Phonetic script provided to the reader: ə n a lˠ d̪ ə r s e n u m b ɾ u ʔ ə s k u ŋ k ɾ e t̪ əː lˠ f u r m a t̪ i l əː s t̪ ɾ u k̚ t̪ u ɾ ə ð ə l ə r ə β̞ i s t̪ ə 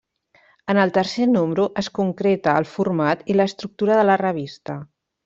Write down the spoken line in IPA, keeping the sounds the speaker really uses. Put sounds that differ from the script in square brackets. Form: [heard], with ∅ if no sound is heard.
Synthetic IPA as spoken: ə n [ə] lˠ [t̪] ə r s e n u m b ɾ u ʔ ə s k u ŋ k ɾ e t̪ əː lˠ f u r m a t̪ i l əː s t̪ ɾ u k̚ t̪ u ɾ ə ð ə l ə r ə β̞ i s t̪ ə